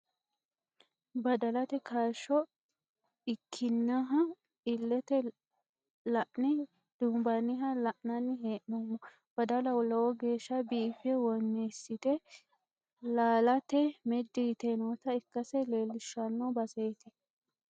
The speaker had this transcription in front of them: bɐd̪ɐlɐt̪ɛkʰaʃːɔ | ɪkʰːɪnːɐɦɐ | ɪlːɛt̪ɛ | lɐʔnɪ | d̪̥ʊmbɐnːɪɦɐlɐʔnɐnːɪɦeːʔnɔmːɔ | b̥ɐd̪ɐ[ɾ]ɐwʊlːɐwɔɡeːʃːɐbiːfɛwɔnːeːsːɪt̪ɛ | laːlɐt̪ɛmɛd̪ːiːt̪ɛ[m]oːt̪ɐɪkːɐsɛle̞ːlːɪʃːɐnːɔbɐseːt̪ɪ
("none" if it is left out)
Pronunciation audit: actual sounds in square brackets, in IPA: l, n

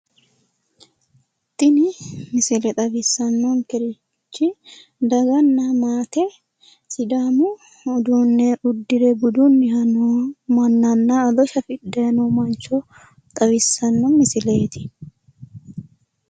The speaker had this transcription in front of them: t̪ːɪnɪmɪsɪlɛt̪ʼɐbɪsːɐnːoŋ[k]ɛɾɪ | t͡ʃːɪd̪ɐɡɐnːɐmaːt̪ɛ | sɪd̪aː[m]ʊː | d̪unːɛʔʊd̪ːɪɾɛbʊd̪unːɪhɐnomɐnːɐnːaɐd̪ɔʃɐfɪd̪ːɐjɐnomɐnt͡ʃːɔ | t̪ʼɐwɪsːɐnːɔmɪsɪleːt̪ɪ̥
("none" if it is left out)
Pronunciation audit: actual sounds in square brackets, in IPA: k, m

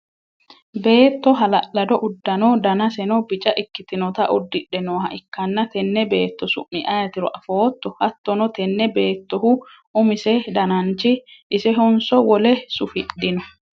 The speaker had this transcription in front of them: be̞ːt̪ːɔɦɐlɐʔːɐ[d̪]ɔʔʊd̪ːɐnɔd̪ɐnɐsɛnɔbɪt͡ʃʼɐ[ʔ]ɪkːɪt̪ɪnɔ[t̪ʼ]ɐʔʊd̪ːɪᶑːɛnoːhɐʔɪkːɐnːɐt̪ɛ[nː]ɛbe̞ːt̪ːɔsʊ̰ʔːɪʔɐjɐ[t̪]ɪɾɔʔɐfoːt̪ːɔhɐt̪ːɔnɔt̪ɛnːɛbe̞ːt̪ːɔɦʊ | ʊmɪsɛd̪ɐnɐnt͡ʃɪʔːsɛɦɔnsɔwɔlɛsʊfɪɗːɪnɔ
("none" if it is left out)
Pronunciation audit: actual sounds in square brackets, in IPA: d̪, ʔ, t̪, nː, t̪

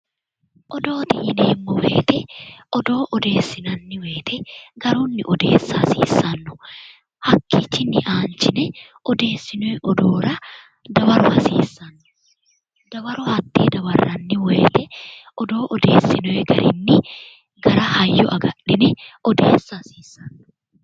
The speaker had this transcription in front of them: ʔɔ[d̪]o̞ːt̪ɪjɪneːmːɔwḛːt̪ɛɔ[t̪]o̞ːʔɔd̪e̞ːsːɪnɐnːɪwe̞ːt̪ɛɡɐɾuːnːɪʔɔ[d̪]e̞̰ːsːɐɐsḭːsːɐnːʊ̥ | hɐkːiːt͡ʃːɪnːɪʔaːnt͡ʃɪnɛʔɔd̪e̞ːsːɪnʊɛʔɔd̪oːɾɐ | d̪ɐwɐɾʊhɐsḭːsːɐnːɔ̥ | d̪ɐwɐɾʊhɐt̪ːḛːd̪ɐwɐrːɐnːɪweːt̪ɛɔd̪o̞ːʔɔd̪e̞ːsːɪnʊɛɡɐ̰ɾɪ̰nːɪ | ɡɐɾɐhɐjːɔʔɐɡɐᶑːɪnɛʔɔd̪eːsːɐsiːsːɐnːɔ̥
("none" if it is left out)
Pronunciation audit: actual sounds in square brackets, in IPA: d̪, d̪, d̪

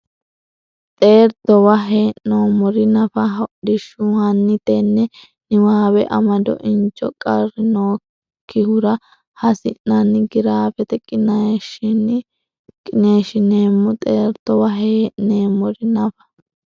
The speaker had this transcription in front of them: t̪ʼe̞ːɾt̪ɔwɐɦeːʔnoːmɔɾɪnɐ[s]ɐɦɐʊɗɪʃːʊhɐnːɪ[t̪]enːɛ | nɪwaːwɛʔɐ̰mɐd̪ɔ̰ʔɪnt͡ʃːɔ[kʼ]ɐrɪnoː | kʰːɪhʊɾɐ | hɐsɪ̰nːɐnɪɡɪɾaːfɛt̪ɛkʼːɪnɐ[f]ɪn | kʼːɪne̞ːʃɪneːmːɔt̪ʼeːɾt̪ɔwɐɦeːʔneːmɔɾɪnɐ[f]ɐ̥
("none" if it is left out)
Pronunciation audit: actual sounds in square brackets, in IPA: f, t̪, kʼ, ʃ, f

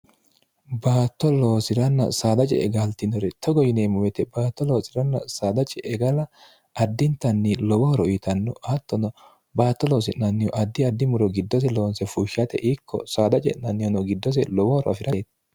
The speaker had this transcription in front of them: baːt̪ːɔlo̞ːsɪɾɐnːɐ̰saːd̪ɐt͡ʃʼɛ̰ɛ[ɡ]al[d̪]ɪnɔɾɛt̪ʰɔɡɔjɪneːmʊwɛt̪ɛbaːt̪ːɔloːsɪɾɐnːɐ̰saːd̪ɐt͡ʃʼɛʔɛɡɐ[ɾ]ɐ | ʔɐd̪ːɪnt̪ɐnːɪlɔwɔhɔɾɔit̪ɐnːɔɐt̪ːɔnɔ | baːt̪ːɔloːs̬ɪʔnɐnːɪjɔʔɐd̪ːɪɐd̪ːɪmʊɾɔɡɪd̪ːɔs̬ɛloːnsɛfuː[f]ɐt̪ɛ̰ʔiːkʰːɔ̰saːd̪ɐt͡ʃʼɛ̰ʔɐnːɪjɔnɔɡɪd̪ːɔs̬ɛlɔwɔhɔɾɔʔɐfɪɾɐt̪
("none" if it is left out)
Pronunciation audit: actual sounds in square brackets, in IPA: ɡ, t̪, l, ʃ

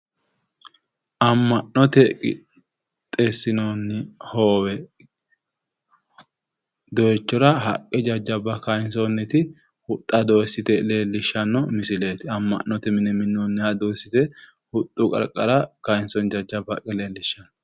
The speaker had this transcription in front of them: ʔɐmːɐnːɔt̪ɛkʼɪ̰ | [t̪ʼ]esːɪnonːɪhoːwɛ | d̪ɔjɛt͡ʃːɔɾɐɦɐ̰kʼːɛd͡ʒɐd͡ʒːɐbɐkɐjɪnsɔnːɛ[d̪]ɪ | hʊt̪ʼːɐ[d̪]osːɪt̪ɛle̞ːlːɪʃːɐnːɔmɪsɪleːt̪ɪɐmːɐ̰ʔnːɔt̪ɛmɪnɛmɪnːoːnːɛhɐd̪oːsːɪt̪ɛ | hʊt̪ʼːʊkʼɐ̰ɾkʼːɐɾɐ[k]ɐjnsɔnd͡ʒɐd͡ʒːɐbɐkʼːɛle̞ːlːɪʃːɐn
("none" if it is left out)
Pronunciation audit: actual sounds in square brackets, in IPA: t̪ʼ, t̪, d̪, k

